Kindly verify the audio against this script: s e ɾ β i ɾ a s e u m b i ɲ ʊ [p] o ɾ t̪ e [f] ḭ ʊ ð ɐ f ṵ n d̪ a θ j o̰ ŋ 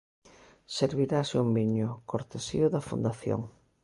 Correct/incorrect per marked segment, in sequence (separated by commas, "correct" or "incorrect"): incorrect, incorrect